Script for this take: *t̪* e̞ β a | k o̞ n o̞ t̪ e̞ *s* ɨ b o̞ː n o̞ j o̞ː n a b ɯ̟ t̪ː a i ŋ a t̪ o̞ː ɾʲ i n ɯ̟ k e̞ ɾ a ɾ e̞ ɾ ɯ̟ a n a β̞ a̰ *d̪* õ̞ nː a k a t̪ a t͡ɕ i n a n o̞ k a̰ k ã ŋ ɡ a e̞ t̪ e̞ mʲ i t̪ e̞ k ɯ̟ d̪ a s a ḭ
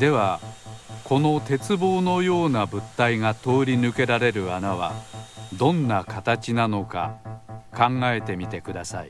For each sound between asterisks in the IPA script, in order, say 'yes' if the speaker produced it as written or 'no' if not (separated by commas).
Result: no, no, yes